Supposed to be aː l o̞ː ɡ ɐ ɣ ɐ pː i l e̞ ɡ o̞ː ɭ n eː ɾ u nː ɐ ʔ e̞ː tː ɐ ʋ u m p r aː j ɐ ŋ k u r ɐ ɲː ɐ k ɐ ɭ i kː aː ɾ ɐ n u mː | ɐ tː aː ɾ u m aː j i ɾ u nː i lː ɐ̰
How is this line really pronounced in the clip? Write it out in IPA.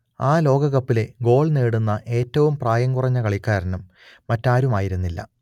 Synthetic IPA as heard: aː l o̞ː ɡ ɐ ɣ ɐ pː i l e̞ ɡ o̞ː ɭ n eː ɽ u nː ɐ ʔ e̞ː tː ɐ ʋ u m p r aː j ɐ ŋ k u r ɐ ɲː ɐ k ɐ ɭ i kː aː ɾ ɐ n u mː | ɐ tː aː ɾ u m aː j i ɾ u nː i lː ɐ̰

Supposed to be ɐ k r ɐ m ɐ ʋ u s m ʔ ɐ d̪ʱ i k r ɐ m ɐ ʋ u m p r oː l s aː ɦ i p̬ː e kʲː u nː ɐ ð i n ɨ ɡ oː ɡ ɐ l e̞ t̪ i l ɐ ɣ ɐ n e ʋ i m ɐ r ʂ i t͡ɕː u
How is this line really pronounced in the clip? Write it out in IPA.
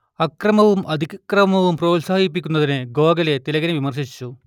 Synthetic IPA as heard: ɐ k r ɐ m ɐ ʋ u m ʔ ɐ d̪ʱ i k r ɐ m ɐ ʋ u m p r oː l s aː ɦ i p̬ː i kʲː u nː ɐ ð i n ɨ ɡ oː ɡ ɐ l e̞ t̪ i l ɐ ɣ ɐ n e ʋ i m ɐ r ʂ i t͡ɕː u

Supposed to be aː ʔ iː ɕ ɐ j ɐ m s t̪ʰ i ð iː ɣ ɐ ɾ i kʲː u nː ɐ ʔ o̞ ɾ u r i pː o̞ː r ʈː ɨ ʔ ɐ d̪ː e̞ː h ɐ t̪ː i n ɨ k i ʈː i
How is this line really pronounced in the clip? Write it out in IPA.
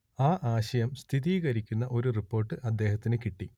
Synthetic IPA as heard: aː ʔ aː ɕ ɐ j ɐ m s t̪ʰ i ð iː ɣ ɐ ɾ i kʲː u nː ɐ ʔ o̞ ɾ u r i pː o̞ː r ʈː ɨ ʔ ɐ d̪ː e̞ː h ɐ t̪ː i n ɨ k i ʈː i

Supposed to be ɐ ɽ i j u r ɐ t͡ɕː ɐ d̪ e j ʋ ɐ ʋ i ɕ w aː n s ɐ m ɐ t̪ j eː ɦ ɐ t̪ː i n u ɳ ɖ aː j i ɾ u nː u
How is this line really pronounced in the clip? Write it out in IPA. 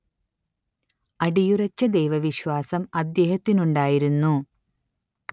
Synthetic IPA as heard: ɐ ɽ i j u r ɐ t͡ɕː ɐ d̪ e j ʋ ɐ ʋ i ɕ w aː s ɐ m ɐ d̪ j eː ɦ ɐ t̪ː i n u ɳ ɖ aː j i ɾ u nː u

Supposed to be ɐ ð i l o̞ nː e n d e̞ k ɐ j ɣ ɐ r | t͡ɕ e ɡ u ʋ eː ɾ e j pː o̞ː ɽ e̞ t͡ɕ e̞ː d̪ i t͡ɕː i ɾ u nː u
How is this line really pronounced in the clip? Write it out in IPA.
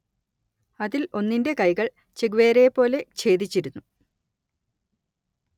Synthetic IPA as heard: ɐ ð i l o̞ nː i n d e̞ k ɐ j ɣ ɐ ɭ | t͡ɕ e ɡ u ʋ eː ɾ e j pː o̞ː l e̞ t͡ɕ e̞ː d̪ i t͡ɕː i ɾ u nː u

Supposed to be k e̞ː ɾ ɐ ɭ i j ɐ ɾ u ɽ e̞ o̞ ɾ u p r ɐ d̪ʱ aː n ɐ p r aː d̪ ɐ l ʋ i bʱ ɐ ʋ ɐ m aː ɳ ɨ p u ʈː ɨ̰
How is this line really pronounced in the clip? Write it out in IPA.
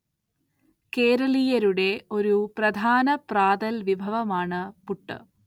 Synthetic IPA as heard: k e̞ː ɾ ɐ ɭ i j ɐ ɾ u ɽ e̞ o̞ ɾ u p r ɐ d̪ʱ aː n ɐ p r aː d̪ ɐ l ʋ i bʱ ɐ ʋ ɐ m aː ɳ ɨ p u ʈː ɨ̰

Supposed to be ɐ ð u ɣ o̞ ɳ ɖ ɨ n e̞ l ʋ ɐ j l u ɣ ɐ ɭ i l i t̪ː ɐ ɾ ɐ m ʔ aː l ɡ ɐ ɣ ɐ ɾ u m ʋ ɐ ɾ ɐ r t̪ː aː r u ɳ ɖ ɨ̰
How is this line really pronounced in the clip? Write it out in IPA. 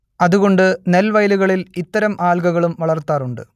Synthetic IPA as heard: ɐ ð u ɣ o̞ ɳ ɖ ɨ n e̞ l ʋ ɐ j l u ɣ ɐ ɭ i l i t̪ː ɐ ɾ ɐ m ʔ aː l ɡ ɐ ɣ ɐ ɭ u m ʋ ɐ ɭ ɐ r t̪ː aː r u ɳ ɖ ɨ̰

